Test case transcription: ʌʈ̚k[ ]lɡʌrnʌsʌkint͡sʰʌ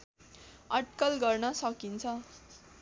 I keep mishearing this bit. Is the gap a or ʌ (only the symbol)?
ʌ